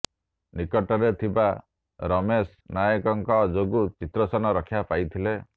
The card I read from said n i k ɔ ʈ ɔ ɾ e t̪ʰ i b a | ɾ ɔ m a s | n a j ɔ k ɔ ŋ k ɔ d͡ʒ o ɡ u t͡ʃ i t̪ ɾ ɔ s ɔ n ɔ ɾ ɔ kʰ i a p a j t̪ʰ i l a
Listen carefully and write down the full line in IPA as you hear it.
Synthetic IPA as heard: n i k ɔ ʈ ɔ ɾ e t̪ʰ i b a | ɾ ɔ m e s | n a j ɔ k ɔ ŋ k ɔ d͡ʒ o ɡ u t͡ʃ i t̪ ɾ ɔ s ɔ n ɔ ɾ ɔ kʰ j a p a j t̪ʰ i l e